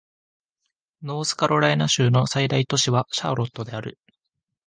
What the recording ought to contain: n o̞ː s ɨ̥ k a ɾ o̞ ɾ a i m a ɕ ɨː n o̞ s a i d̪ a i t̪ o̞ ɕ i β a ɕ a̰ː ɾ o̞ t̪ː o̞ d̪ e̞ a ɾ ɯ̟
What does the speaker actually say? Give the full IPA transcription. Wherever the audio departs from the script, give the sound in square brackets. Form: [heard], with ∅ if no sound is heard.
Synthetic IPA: n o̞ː s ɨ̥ k a ɾ o̞ ɾ a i [n] a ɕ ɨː n o̞ s a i d̪ a i t̪ o̞ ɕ i β a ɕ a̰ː ɾ o̞ t̪ː o̞ d̪ e̞ a ɾ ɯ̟